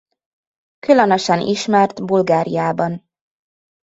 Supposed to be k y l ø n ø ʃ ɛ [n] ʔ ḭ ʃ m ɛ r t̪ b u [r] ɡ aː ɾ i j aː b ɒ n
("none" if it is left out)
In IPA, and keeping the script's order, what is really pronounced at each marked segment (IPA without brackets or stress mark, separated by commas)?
n, l